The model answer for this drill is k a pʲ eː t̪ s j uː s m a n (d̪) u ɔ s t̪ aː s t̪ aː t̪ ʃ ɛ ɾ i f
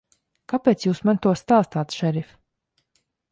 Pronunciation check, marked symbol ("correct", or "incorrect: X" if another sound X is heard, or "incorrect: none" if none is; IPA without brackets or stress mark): incorrect: t̪